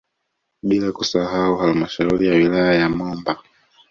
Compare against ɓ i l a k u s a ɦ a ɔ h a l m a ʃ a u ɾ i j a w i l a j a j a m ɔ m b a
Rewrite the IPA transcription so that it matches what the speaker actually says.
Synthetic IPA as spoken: ɓ i l a k u s a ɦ a u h a l m a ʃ a u ɾ i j a w i l a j a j a m ɔ m b a